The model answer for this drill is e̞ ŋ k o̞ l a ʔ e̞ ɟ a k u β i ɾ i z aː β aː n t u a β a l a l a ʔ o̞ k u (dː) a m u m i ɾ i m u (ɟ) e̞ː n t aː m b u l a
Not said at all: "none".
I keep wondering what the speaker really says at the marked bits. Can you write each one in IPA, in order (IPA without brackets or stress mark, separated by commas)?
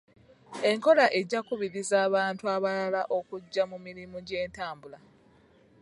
ɟː, ɟ